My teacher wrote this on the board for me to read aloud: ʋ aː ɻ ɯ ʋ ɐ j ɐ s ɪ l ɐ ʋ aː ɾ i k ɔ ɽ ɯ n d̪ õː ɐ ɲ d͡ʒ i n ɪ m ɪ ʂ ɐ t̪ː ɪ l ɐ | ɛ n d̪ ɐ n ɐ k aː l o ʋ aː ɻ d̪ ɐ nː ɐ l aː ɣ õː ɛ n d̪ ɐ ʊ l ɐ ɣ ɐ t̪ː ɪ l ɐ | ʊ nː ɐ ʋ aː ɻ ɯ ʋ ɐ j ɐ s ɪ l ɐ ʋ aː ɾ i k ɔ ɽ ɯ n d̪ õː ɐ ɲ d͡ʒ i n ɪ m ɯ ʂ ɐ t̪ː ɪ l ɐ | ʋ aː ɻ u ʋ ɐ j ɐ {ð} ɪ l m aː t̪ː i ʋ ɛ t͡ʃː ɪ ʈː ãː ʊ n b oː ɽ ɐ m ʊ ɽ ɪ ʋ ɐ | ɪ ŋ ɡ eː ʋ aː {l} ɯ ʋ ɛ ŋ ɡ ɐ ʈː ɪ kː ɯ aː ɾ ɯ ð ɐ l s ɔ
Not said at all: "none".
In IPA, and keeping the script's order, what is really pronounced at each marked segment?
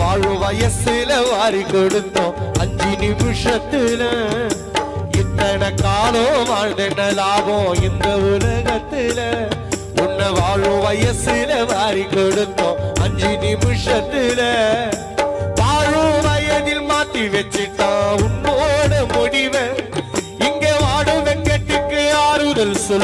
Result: ð, ɽ

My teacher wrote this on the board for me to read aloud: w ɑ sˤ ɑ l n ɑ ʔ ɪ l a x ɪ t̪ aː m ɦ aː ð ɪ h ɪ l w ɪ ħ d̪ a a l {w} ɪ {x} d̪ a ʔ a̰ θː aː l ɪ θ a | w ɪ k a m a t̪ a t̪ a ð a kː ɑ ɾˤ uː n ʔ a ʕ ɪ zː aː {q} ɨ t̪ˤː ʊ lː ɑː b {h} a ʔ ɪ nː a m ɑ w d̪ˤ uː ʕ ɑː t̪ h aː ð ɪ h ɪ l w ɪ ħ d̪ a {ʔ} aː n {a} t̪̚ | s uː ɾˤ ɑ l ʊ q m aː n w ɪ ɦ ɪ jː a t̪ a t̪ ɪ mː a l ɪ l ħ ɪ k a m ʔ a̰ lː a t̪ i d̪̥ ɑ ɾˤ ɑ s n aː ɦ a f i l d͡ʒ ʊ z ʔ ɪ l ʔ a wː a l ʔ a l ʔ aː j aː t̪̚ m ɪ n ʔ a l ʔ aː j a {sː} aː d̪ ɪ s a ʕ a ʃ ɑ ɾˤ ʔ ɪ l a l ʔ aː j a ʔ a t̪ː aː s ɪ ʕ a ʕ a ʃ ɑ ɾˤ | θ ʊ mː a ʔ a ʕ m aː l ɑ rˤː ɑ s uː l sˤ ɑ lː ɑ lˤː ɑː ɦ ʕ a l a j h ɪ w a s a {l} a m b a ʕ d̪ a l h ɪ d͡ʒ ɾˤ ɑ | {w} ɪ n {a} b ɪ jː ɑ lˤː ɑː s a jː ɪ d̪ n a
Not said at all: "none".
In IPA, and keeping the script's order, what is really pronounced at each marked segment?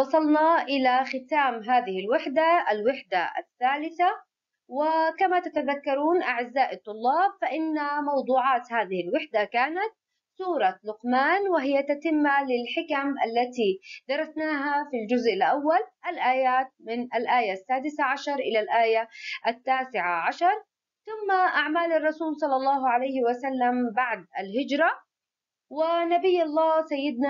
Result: w, ħ, ʔ, f, k, a, sː, lː, w, a

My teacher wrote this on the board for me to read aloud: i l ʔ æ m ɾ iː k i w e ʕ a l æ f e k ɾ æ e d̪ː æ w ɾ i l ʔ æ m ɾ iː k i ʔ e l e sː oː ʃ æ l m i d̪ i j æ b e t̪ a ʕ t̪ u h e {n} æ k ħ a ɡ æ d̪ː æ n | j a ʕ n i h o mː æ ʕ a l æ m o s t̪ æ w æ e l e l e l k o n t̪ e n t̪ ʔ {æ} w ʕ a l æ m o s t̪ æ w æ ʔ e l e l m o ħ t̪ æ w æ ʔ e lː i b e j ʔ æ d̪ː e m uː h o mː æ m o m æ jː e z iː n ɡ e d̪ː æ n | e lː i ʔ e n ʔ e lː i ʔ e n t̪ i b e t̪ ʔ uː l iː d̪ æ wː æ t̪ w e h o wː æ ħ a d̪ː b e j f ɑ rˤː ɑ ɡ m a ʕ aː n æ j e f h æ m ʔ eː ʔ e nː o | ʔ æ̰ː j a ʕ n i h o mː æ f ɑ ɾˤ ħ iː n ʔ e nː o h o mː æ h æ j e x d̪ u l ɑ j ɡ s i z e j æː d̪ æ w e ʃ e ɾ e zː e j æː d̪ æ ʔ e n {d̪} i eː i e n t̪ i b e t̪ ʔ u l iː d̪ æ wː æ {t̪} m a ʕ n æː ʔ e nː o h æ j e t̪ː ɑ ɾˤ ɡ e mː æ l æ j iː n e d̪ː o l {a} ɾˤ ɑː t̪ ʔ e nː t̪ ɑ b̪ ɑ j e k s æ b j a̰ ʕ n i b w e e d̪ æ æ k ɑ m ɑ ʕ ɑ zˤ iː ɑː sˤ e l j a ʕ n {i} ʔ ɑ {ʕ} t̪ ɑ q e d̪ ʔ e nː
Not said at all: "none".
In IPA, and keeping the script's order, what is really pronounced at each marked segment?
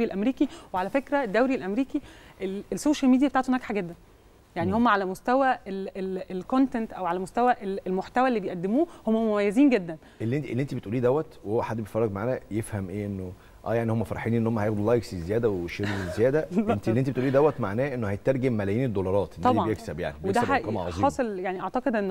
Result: n, æ, t̪, t̪, ɑ, i, ʕ

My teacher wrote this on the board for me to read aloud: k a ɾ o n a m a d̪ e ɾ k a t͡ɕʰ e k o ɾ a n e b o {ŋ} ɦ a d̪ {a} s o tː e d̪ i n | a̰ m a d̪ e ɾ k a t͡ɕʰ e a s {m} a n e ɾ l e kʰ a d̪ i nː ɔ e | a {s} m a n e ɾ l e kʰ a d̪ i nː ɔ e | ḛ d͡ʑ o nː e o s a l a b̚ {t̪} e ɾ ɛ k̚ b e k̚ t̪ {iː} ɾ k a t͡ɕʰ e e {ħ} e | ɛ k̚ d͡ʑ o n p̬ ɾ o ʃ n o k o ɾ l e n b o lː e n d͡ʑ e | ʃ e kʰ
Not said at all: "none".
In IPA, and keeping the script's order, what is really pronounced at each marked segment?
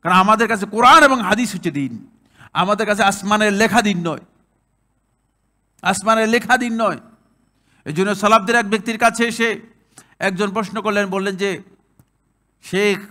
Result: ŋ, i, m, s, d̪, i, ʃ

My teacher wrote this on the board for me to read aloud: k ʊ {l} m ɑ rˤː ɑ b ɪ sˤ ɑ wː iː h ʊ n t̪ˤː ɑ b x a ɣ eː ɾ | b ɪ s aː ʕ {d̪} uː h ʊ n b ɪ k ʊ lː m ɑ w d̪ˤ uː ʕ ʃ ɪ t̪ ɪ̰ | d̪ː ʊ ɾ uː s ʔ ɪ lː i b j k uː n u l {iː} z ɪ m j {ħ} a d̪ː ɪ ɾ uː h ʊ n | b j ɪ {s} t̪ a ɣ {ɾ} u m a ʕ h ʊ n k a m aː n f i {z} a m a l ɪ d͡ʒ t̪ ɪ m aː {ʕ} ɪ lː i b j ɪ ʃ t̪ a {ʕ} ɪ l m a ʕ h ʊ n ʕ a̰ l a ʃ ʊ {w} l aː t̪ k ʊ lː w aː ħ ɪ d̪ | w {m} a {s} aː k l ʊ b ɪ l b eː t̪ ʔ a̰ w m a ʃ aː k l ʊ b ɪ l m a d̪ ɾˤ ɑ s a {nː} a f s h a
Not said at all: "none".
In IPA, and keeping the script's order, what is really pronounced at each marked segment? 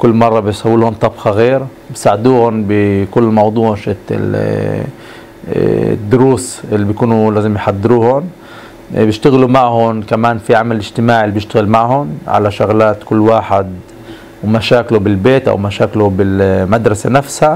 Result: lː, d̪, aː, ħ, ʃ, l, ʕ, ʕ, ɣ, ɣ, m, ʃ, n

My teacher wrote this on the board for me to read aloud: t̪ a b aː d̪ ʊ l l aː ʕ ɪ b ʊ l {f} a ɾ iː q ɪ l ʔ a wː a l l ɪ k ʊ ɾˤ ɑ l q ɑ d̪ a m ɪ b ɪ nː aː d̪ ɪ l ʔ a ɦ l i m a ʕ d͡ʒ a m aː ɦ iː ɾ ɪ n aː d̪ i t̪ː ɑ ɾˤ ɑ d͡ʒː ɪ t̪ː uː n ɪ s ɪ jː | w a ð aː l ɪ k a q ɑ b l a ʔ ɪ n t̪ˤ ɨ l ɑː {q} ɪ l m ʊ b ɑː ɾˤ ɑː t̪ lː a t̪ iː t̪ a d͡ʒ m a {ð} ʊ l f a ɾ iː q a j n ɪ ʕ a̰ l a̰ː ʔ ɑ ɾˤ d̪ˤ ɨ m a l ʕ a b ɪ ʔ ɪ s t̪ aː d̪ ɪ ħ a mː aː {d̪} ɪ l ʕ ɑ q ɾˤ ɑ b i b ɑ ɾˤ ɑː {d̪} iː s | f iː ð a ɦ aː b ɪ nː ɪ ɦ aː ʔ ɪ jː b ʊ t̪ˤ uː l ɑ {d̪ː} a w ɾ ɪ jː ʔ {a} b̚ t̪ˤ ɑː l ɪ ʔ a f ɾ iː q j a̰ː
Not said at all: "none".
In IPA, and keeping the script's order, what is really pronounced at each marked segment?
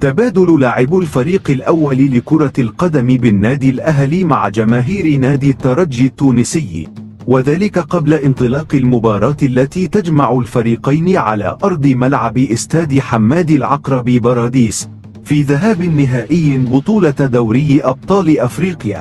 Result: f, q, ʕ, d̪, d̪, d̪, ɑ

